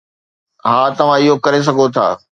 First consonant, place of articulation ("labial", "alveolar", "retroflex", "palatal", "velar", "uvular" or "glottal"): glottal